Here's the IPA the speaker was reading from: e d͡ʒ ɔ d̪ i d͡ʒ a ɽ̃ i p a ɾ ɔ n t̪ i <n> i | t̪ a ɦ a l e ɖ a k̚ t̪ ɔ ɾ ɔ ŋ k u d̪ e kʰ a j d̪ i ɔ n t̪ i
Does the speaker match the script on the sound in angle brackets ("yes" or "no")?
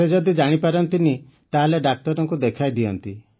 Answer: yes